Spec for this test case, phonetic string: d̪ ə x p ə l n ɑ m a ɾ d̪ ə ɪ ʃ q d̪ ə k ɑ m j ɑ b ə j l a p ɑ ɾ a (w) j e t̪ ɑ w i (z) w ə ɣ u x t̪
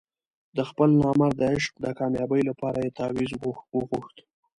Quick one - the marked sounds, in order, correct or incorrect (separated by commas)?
incorrect, correct